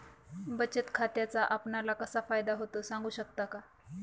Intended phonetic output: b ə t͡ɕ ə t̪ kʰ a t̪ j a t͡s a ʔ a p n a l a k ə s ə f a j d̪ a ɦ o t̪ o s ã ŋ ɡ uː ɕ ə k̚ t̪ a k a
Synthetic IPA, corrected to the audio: b ə t͡ɕ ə t̪ kʰ a t̪ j a t͡s a ʔ a p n a l a k ə s a f a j d̪ a ɦ o t̪ o s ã ŋ ɡ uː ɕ ə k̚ t̪ a k a